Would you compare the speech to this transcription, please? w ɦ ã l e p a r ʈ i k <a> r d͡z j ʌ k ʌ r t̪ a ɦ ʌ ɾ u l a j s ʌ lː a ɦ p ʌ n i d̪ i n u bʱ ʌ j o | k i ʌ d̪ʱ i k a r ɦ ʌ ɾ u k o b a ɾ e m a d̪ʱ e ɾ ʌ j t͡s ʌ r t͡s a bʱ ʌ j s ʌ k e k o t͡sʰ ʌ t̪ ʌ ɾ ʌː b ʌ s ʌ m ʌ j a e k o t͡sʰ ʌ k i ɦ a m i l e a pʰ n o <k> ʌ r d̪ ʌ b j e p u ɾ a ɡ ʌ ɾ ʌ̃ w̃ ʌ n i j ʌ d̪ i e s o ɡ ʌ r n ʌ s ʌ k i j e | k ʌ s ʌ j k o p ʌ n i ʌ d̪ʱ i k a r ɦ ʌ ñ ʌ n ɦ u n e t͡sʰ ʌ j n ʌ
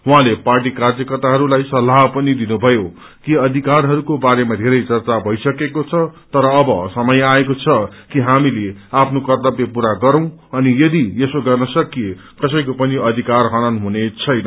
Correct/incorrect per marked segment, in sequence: correct, correct

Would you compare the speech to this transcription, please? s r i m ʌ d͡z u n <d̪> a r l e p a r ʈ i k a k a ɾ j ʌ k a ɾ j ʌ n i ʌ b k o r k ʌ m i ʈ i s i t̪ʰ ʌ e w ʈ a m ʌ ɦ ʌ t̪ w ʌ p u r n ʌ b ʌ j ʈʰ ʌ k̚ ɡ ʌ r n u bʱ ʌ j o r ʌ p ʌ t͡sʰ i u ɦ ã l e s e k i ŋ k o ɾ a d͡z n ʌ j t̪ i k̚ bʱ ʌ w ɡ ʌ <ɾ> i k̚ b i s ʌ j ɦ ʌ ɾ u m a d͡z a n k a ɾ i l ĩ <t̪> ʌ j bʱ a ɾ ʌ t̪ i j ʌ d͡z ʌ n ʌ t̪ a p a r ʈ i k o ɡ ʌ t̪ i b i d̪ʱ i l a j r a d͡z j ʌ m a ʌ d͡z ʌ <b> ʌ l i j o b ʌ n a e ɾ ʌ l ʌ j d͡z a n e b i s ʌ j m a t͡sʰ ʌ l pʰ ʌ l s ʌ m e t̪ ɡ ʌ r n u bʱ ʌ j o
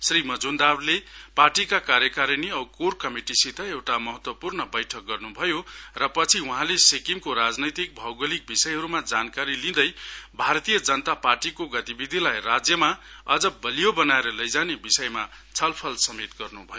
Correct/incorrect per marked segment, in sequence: correct, incorrect: l, incorrect: d̪, correct

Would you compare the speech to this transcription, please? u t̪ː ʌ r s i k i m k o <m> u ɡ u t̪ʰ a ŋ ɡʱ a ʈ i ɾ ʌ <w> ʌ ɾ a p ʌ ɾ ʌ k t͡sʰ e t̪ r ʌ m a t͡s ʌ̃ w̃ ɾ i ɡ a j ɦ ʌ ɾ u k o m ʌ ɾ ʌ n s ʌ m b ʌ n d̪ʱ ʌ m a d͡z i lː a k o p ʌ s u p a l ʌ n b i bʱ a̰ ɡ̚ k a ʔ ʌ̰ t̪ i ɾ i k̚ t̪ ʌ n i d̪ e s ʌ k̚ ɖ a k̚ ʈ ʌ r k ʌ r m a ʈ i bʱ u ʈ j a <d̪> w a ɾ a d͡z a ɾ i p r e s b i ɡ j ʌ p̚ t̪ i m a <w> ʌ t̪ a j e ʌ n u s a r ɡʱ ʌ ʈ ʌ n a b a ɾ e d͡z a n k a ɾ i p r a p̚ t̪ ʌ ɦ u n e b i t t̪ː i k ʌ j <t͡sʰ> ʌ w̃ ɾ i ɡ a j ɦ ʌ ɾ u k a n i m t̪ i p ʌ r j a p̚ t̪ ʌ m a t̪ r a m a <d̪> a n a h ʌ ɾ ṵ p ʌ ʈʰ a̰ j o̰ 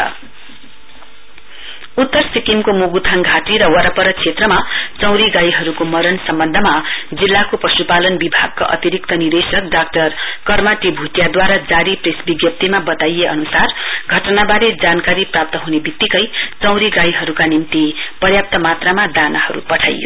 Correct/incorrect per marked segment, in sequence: correct, correct, correct, incorrect: b, incorrect: t͡s, correct

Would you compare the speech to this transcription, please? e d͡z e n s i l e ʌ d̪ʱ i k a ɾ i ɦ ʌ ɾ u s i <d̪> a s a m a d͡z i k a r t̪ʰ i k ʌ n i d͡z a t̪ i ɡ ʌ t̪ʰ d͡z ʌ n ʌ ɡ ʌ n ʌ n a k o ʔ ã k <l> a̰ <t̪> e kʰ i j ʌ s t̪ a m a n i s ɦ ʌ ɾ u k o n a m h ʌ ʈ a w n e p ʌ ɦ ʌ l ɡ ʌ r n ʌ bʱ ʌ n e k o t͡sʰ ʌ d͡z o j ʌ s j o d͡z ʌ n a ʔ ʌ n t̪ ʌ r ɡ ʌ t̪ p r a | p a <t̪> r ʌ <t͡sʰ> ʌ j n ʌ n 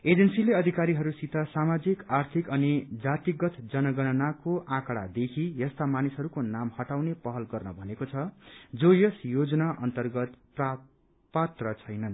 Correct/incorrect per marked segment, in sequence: incorrect: t̪, incorrect: ɽ, incorrect: d̪, correct, correct

